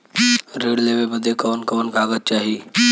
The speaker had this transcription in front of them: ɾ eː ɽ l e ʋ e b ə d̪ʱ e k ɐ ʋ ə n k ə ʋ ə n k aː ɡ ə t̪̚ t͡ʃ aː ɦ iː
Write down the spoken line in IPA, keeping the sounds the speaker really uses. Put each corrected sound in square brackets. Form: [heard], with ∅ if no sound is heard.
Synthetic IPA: ɾ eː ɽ l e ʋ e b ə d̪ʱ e k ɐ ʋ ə n k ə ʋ ə n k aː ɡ ə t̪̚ t͡ʃ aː ɦ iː